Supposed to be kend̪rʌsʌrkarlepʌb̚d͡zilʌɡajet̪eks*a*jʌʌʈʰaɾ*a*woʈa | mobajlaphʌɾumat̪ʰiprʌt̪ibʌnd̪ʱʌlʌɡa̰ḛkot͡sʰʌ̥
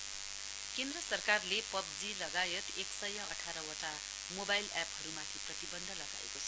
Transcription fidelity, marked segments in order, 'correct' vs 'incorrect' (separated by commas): incorrect, incorrect